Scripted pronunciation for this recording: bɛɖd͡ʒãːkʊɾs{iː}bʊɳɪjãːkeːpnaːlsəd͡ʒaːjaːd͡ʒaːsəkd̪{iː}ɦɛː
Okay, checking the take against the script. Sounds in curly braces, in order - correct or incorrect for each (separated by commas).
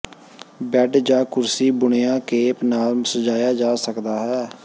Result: correct, incorrect